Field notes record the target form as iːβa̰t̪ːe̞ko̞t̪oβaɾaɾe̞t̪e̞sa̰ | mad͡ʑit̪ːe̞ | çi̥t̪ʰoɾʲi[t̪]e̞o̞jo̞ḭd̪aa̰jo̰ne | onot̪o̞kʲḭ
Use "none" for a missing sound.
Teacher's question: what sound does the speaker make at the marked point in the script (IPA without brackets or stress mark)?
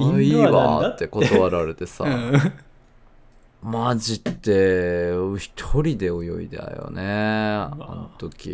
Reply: d̪